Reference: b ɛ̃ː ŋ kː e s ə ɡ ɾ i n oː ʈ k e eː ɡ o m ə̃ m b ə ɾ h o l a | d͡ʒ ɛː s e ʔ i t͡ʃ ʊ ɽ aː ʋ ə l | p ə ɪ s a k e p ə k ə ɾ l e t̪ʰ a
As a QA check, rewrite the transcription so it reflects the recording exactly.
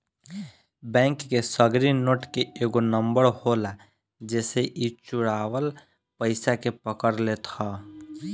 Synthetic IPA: b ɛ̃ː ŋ kː e s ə ɡ ɾ i n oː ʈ k e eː ɡ o n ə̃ m b ə ɾ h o l a | d͡ʒ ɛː s e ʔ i t͡ʃ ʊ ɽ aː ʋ ə l | p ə ɪ s a k e p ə k ə ɾ l e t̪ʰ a